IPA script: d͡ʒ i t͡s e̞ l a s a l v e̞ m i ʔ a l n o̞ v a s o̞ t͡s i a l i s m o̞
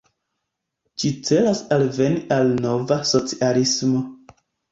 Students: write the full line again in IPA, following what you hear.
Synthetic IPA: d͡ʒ i t͡s e̞ l a s a l v e̞ n i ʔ a l n o̞ v a s o̞ t͡s i a l i s m o̞